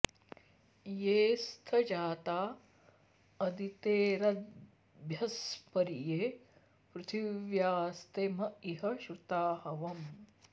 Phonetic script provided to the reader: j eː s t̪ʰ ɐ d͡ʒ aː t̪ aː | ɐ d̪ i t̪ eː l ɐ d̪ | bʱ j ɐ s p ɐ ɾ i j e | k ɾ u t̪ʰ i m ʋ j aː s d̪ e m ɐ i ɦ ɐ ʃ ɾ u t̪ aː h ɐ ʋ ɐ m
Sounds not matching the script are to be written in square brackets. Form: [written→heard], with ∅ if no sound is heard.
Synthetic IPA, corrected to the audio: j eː s t̪ʰ ɐ d͡ʒ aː t̪ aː | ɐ d̪ i t̪ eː [l→ɾ] ɐ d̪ | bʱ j ɐ s p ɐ ɾ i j e | [k→p] ɾ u t̪ʰ i [m→∅] ʋ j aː s [d̪→t̪] e m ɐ i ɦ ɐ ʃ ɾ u t̪ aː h ɐ ʋ ɐ m